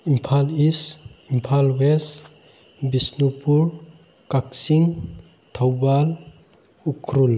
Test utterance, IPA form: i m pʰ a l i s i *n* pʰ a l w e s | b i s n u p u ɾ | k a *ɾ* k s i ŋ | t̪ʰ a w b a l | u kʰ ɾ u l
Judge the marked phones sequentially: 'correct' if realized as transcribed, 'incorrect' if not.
incorrect: m, incorrect: none

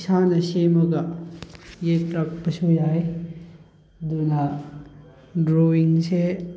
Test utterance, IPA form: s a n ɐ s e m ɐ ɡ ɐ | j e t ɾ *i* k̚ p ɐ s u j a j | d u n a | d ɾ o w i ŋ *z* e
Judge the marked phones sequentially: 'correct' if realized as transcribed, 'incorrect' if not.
incorrect: a, incorrect: s

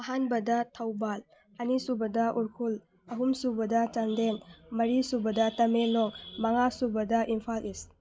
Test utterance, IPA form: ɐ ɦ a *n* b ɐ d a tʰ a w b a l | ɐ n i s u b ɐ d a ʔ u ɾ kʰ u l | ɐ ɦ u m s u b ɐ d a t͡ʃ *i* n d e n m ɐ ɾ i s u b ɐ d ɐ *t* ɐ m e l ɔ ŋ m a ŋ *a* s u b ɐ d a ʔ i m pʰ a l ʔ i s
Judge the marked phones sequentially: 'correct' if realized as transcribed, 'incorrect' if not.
correct, incorrect: a, correct, correct

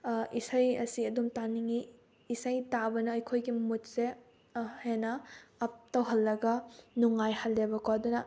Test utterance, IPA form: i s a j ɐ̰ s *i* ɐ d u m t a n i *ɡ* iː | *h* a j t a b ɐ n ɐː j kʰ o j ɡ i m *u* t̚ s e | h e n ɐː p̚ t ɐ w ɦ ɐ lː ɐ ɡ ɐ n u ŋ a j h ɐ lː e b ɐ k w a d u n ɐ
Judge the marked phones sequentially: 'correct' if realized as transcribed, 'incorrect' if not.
correct, incorrect: ŋ, incorrect: s, correct

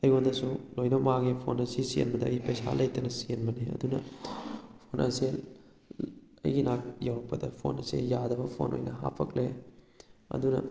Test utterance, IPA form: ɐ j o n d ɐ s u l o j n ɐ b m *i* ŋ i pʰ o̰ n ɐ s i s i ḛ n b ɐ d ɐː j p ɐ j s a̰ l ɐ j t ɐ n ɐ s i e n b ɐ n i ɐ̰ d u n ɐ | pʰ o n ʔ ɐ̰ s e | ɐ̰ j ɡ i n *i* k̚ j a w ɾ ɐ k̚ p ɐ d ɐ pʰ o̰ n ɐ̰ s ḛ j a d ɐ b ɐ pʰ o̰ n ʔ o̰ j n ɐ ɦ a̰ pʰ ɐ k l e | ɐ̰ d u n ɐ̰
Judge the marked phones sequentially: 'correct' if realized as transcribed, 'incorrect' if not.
incorrect: a, incorrect: a

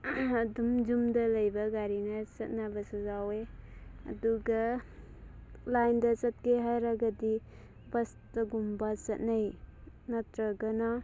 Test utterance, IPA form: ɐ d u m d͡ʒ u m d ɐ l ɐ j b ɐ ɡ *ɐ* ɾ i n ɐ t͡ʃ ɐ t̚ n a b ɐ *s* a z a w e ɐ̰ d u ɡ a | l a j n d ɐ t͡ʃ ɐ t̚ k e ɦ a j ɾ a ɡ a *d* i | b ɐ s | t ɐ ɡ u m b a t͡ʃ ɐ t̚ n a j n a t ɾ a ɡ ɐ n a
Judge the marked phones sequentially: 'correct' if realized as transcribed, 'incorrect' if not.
incorrect: a, correct, correct

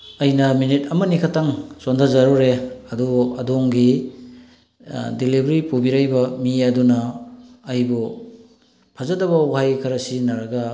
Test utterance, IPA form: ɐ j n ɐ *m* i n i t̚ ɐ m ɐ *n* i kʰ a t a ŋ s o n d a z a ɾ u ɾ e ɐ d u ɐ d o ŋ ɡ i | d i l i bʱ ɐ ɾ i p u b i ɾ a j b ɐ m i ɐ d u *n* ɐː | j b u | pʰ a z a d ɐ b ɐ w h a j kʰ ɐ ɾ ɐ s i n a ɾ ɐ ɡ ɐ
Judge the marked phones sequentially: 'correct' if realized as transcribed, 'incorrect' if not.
correct, correct, correct

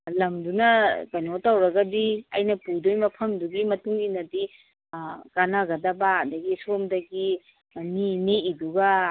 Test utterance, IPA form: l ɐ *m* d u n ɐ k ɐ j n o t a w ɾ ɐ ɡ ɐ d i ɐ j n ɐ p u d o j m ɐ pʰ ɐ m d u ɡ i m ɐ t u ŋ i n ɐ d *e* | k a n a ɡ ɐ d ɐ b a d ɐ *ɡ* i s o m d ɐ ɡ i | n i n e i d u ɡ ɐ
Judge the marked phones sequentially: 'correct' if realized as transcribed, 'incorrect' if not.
correct, incorrect: i, correct

